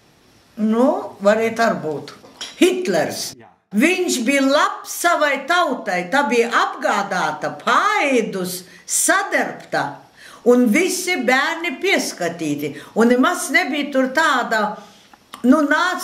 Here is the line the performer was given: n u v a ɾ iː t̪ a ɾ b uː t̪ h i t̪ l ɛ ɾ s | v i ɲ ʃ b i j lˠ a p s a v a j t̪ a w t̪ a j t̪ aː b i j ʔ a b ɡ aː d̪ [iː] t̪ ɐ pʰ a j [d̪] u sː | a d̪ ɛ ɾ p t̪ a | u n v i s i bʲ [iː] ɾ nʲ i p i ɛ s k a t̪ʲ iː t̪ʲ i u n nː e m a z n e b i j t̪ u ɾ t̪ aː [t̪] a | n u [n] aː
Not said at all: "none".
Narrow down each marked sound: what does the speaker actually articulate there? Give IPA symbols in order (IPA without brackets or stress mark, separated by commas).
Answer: aː, d̪, æː, d̪, n